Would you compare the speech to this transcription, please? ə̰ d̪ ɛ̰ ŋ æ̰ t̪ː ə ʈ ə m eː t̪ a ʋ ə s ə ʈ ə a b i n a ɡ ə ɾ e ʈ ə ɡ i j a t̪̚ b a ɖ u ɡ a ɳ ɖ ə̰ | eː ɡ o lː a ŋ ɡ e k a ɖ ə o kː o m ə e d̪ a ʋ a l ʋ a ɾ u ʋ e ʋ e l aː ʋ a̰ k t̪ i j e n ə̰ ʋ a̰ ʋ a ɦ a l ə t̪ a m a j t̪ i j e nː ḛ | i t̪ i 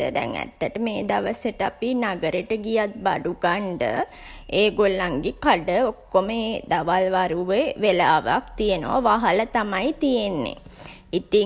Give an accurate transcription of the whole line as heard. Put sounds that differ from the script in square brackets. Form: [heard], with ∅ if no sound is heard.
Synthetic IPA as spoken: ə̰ d̪ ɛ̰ ŋ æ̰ t̪ː ə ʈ ə m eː [d̪] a ʋ ə s ə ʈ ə a [p] i n a ɡ ə ɾ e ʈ ə ɡ i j a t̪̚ b a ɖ u ɡ a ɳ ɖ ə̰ | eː ɡ o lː a ŋ ɡ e k a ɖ ə o kː o m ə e d̪ a ʋ a l ʋ a ɾ u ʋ e ʋ e l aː ʋ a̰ k t̪ i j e n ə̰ ʋ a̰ ʋ a ɦ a l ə t̪ a m a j t̪ i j e nː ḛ | i t̪ i